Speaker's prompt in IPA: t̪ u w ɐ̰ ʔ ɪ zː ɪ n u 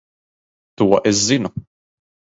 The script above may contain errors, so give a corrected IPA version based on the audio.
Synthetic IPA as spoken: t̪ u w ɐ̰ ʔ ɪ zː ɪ n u